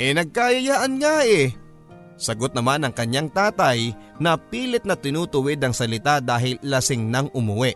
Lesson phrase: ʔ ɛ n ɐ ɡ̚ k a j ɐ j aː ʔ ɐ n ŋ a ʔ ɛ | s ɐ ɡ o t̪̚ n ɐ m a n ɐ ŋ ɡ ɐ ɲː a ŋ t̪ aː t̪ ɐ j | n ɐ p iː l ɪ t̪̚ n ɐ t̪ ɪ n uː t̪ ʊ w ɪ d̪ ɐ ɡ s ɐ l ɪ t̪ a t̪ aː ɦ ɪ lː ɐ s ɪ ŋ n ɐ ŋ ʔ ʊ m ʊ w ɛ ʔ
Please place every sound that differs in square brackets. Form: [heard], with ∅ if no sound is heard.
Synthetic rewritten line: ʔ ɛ n ɐ ɡ̚ k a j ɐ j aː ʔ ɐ n ŋ a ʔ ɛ | s ɐ ɡ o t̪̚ n ɐ m a n ɐ ŋ [k] ɐ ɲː a ŋ t̪ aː t̪ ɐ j | n ɐ p iː l ɪ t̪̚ n ɐ t̪ ɪ n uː t̪ ʊ w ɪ d̪ ɐ [ŋ] s ɐ l ɪ t̪ a [d̪] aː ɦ ɪ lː ɐ s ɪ ŋ n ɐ ŋ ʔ ʊ m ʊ w ɛ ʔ